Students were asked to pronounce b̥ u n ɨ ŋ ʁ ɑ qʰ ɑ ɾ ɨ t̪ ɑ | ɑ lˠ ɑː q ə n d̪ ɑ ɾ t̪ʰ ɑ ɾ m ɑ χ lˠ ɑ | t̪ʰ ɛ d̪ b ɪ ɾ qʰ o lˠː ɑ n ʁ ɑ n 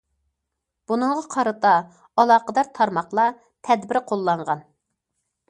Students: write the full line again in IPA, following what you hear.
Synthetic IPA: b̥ u n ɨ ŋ ʁ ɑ qʰ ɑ ɾ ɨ t̪ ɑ | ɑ lˠ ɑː q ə d̪ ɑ ɾ t̪ʰ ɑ ɾ m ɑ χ lˠ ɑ | t̪ʰ ɛ d̪ b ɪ ɾ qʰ o lˠː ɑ ɴ ʁ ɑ n